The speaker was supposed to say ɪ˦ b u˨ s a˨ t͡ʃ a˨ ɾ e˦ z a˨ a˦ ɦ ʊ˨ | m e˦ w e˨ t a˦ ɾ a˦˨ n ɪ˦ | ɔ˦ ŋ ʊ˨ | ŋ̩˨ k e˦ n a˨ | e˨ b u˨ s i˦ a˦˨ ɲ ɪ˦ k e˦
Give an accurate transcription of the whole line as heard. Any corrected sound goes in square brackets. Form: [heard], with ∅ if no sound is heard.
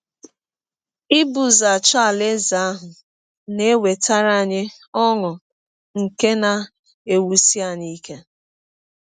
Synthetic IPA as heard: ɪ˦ b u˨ [z] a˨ t͡ʃ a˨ [l] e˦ z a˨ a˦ ɦ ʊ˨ | [n] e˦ w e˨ t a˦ ɾ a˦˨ [ɲ] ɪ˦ | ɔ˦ ŋ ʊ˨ | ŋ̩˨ k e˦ n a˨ | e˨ [w] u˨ s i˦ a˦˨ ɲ [i˦] k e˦